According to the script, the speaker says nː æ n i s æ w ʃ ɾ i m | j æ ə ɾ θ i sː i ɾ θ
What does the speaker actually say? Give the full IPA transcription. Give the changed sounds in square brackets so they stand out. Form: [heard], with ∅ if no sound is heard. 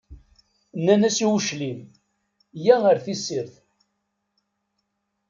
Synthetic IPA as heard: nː æ n [æ] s [i] w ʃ [l] i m | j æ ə ɾ θ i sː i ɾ θ